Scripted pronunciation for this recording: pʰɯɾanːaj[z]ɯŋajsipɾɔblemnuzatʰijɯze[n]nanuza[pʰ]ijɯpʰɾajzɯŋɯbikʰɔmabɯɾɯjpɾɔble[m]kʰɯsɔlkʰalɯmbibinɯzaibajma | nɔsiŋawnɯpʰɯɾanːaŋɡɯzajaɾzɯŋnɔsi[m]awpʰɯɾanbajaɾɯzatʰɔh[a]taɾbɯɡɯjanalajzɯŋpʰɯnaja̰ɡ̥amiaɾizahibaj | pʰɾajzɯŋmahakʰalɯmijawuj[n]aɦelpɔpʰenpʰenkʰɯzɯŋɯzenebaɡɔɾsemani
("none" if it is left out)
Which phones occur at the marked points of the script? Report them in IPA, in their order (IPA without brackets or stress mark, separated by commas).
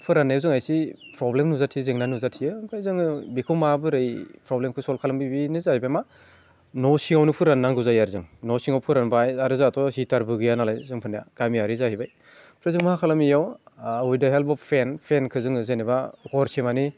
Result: z, ŋ, tʰ, m, ŋ, i, d